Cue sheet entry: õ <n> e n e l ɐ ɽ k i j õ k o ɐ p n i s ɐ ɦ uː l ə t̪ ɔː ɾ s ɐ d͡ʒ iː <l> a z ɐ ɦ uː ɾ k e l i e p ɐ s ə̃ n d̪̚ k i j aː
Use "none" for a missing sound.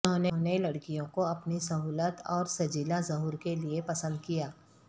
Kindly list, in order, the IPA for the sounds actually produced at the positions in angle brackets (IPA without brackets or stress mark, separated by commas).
n, l